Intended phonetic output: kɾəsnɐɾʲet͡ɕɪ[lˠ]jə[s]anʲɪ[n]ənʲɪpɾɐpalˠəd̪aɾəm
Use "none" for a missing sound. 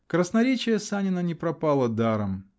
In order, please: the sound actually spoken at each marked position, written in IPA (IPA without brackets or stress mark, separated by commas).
none, s, n